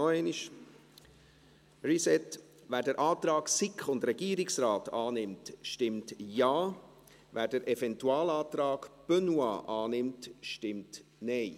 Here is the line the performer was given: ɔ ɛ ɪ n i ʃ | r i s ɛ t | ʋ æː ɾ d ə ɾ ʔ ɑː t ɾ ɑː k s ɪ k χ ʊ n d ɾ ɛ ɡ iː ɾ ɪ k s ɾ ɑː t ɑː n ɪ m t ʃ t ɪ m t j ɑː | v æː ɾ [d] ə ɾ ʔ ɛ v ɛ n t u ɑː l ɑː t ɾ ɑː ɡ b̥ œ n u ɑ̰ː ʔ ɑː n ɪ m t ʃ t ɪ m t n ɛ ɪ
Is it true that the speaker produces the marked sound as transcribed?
yes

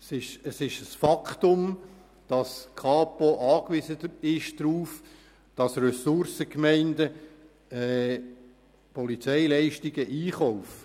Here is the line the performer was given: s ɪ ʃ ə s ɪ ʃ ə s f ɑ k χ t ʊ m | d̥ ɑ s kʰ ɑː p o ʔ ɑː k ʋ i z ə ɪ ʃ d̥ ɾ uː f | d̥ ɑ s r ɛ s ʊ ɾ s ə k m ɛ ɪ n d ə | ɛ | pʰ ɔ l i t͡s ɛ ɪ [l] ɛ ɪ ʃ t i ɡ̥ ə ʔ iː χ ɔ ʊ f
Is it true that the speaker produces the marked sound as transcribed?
yes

